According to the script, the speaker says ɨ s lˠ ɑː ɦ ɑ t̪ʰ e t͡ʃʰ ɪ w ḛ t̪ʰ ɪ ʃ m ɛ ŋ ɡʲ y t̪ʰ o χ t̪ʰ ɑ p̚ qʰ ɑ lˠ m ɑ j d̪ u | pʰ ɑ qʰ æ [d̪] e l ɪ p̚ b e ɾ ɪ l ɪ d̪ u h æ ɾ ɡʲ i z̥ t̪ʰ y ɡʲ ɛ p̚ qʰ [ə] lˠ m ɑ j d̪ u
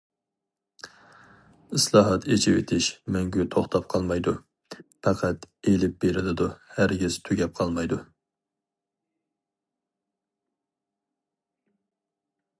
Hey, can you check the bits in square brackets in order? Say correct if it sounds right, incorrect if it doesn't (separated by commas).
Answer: incorrect, incorrect